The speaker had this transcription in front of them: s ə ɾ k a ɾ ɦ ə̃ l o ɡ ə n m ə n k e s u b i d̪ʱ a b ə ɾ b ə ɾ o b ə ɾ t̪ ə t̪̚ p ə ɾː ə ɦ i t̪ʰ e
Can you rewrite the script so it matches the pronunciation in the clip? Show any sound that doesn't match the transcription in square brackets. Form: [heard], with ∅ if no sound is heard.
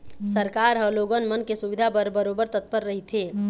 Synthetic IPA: s ə ɾ k a ɾ ɦ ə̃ l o ɡ ə n m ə n k e s u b i d̪ʱ a b ə ɾ b ə ɾ o b ə ɾ t̪ ə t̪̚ p ə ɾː ə ɦ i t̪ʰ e